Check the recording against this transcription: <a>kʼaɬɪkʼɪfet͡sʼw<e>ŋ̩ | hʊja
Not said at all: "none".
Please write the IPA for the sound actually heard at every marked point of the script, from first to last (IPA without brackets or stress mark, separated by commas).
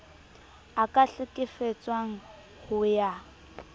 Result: a, a